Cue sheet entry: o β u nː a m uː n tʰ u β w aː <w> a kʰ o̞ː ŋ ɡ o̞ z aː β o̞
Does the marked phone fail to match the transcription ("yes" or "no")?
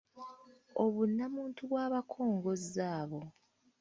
yes